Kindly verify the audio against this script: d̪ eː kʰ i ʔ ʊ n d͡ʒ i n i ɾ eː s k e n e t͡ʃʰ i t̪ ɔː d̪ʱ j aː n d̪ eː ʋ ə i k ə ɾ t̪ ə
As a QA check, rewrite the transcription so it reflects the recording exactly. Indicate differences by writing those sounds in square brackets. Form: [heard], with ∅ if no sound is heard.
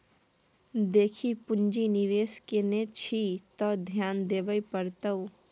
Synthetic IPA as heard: d̪ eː kʰ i [p] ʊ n d͡ʒ i n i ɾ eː s k e n e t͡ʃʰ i t̪ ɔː d̪ʱ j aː n d̪ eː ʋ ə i [p] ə ɾ t̪ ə